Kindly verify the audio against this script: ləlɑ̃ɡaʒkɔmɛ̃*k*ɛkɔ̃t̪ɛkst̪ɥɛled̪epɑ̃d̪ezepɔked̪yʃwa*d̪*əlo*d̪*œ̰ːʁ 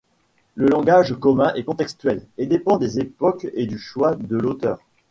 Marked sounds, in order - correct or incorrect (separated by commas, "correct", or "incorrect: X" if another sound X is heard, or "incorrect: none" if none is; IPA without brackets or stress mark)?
incorrect: ʔ, correct, incorrect: t̪